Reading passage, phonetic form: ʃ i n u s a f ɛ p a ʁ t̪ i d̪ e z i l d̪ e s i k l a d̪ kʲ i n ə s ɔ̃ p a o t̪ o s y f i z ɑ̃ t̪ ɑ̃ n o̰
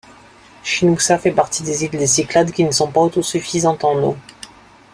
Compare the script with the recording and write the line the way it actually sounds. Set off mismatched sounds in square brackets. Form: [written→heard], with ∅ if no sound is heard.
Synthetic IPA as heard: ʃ i n u s a f ɛ p a ʁ t̪ i d̪ e z i l d̪ e s i k l a d̪ kʲ i n ə s ɔ̃ p a o t̪ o s y f i z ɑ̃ t̪ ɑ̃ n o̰